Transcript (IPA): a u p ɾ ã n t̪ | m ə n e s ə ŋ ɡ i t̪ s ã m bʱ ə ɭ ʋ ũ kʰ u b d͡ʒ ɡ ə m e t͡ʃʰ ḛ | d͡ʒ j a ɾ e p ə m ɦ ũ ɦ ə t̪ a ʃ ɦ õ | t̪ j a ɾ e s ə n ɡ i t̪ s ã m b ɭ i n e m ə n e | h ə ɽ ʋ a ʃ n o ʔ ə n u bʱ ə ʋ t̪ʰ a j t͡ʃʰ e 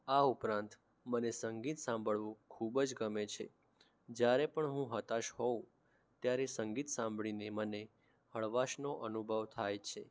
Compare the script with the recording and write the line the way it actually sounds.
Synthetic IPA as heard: a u p ɾ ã n t̪ | m ə n e s ə ŋ ɡ i t̪ s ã m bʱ ə ɭ ʋ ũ kʰ u b d͡ʒ ɡ ə m e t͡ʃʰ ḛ | d͡ʒ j a ɾ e p ə ɳ ɦ ũ ɦ ə t̪ a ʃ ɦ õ | t̪ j a ɾ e s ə ŋ ɡ i t̪ s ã m b ɭ i n e m ə n e | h ə ɭ ʋ a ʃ n o ʔ ə n u bʱ ə ʋ t̪ʰ a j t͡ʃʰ e